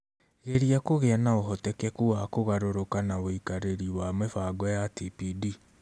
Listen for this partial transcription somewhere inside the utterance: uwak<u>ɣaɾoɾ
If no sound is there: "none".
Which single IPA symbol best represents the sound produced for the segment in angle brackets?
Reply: o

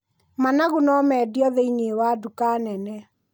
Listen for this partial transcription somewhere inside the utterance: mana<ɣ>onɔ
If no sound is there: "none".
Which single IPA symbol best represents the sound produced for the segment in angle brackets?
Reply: ɣ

